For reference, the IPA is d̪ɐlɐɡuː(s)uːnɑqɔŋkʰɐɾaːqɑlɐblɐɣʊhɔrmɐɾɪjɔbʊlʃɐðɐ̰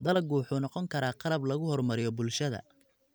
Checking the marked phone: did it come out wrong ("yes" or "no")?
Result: yes